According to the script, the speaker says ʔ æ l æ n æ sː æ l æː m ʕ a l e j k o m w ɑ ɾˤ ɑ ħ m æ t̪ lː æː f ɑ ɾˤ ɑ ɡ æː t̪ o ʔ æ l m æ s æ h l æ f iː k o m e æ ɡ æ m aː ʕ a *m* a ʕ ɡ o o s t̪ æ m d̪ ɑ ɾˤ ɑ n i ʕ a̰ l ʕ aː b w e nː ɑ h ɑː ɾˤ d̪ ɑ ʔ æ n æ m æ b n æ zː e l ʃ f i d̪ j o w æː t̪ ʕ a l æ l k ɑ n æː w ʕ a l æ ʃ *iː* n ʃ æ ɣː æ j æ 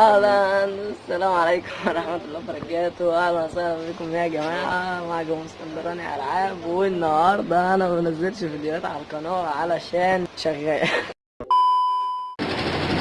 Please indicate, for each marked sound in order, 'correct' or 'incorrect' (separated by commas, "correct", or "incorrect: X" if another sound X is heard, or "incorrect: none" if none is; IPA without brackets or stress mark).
correct, incorrect: æː